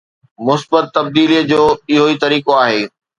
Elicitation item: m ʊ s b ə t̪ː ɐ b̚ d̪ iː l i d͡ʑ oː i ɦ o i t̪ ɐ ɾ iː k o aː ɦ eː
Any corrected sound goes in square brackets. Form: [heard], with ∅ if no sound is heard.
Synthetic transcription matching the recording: m ʊ s b ə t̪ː ɐ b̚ d̪ iː l i d͡ʑ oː [ɪ] ɦ o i t̪ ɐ ɾ iː k o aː ɦ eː